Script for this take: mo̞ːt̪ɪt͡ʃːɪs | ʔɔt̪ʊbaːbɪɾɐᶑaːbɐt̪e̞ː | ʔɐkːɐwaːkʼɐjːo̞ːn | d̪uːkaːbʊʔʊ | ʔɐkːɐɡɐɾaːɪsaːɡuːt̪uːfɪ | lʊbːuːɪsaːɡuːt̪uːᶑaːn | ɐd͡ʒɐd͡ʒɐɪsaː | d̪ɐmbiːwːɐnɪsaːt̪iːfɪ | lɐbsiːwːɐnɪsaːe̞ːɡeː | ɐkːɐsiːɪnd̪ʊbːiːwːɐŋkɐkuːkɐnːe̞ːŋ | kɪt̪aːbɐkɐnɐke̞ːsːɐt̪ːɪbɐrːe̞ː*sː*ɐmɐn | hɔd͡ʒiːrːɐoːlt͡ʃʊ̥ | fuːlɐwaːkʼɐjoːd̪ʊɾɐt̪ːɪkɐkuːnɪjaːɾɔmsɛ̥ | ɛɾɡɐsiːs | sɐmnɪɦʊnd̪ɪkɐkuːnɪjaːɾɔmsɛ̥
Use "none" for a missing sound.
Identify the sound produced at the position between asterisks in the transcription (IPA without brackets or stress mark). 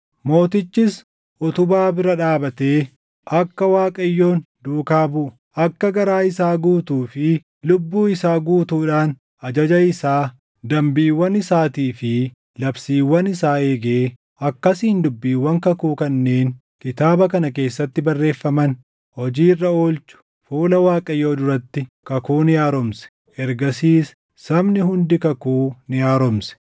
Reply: fː